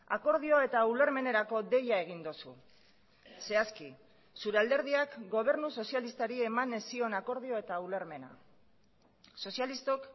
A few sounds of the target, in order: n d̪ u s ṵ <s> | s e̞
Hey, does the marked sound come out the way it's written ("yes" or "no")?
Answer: no